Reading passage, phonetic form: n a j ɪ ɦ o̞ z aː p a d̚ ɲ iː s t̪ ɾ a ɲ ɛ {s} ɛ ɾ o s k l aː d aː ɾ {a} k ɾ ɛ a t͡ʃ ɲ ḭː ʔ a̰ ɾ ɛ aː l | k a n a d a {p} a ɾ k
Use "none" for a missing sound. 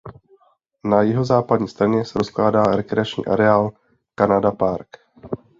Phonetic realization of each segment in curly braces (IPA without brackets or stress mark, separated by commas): s, ɛ, p